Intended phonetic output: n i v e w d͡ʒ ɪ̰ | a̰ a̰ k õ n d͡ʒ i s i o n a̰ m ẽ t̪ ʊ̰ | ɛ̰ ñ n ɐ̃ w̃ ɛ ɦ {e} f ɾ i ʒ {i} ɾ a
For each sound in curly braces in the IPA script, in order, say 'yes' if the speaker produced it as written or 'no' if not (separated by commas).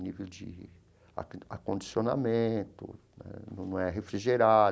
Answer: yes, no